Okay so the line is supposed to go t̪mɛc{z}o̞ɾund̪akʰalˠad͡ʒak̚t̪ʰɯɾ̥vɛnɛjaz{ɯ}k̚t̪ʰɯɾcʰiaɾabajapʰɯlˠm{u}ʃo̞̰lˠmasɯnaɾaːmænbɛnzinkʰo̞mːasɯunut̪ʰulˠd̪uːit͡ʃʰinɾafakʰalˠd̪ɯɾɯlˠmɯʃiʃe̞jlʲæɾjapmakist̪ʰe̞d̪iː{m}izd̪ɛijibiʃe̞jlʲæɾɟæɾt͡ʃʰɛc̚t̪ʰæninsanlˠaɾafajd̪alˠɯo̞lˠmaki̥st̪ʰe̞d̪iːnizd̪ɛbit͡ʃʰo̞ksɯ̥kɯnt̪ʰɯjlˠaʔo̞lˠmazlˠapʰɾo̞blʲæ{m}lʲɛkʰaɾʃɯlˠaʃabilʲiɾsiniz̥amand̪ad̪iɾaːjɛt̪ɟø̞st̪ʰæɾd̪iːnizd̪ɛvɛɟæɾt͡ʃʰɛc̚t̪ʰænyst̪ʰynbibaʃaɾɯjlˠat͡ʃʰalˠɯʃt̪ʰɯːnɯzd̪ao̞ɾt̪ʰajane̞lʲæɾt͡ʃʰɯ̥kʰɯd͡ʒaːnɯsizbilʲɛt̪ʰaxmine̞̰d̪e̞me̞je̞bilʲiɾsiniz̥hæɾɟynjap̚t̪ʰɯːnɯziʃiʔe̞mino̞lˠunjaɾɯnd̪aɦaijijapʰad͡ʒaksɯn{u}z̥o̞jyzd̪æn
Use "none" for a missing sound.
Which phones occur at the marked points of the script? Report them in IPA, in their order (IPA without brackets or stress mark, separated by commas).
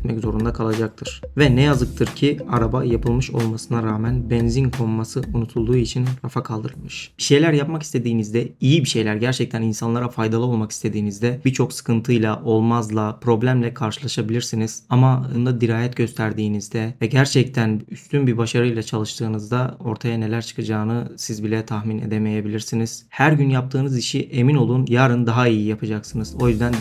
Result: z, ɯ, ɯ, n, m, ɯ